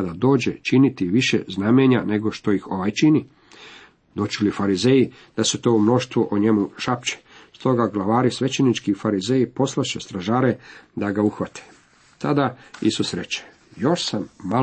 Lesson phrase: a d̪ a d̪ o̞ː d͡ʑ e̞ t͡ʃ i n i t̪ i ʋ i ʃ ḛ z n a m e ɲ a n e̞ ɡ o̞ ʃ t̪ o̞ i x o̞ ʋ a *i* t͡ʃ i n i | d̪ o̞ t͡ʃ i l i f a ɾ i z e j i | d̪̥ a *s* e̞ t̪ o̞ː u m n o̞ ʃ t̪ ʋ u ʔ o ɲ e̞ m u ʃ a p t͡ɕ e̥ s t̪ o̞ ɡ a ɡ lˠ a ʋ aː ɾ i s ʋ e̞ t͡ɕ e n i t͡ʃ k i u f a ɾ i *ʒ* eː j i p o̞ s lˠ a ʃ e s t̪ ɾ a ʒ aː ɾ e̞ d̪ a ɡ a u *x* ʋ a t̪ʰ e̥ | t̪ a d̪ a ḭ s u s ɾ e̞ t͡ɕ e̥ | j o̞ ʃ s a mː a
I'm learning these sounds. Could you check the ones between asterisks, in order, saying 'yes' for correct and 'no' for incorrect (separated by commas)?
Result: no, yes, no, yes